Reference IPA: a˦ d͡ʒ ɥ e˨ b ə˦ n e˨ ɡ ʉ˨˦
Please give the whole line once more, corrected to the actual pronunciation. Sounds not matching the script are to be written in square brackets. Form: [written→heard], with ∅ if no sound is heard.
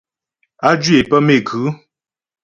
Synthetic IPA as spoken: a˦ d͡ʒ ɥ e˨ [b→p] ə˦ [n→m] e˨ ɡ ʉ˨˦